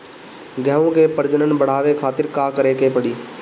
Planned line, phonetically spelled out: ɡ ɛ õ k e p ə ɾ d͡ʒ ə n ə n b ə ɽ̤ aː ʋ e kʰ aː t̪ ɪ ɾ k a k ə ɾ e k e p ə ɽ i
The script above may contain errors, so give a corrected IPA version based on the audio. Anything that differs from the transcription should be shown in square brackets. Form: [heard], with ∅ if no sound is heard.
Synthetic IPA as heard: ɡ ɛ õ k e p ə ɾ d͡ʒ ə n ə n b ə ɽ̤ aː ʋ e kʰ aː t̪ ɪ ɾ k a k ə ɾ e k e p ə ɽ [iː]